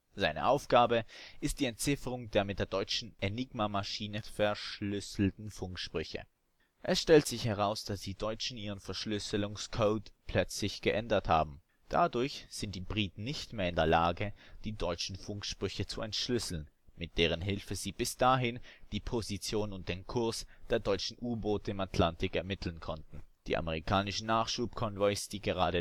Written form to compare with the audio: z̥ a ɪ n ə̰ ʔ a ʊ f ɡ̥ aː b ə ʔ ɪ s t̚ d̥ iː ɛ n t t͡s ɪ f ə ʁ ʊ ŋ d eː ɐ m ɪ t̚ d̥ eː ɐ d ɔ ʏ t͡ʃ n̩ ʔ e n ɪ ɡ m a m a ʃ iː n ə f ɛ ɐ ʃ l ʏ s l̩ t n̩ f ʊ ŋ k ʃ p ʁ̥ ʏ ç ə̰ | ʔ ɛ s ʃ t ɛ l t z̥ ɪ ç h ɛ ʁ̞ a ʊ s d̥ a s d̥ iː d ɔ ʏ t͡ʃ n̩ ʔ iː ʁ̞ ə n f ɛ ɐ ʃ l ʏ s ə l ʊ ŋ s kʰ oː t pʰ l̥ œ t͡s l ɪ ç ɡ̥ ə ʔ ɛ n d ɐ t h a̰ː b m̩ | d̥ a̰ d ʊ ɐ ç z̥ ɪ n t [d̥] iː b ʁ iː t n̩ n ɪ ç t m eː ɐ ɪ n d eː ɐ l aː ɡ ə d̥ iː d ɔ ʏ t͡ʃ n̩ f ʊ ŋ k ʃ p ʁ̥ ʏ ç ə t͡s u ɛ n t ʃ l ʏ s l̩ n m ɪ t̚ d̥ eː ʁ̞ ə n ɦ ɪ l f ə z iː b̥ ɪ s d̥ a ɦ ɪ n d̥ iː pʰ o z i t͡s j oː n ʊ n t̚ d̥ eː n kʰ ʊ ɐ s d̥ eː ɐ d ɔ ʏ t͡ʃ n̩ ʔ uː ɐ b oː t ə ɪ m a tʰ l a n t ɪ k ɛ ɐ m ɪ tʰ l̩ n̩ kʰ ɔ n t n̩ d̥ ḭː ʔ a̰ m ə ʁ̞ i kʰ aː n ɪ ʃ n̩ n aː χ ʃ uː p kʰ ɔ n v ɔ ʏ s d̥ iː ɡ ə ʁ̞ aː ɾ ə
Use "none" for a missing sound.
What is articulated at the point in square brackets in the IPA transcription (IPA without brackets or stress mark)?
d̥